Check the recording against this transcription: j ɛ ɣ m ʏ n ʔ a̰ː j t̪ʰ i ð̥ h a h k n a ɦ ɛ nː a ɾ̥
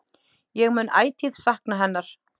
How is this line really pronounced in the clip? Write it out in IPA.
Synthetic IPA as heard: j ɛ ɣ m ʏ n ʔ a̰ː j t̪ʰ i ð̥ s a h k n a ɦ ɛ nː a ɾ̥